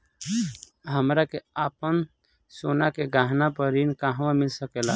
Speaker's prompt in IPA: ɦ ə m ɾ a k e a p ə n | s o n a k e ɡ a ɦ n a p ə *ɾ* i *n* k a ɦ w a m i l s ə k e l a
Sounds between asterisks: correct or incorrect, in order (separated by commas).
correct, correct